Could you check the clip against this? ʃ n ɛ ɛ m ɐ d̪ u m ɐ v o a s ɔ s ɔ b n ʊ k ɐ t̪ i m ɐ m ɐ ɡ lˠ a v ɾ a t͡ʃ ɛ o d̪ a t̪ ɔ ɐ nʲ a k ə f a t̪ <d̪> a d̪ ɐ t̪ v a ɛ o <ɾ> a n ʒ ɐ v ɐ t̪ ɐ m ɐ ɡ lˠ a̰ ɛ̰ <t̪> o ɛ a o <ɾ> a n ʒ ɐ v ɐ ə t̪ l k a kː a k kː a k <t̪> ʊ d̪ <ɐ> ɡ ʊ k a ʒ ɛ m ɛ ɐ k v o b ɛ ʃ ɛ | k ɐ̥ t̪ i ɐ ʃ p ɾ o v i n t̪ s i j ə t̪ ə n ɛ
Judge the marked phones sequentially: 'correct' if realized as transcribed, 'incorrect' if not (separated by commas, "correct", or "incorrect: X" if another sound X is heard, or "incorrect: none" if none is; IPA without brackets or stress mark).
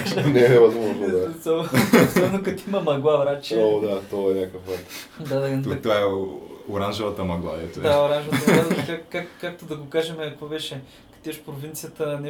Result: correct, correct, correct, correct, correct, correct